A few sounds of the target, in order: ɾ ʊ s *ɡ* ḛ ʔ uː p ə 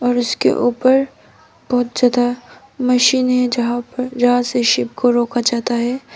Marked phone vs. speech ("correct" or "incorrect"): incorrect